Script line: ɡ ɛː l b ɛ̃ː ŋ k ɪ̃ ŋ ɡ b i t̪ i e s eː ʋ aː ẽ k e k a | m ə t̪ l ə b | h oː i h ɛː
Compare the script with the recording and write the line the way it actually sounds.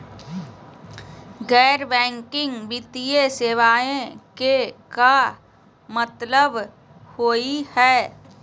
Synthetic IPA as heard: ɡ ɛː ɾ b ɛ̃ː ŋ k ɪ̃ ŋ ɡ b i t̪ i e s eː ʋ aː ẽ k e k a | m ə t̪ l ə b | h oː i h ɛː